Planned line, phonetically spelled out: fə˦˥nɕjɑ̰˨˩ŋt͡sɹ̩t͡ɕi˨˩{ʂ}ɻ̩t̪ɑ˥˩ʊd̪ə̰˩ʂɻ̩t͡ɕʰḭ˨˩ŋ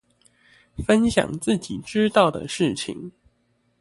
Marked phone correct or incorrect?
incorrect